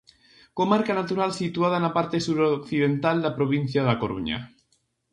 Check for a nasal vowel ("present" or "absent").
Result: absent